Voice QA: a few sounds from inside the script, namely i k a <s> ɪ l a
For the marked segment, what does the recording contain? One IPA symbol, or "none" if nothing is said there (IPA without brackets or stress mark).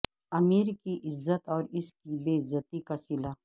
s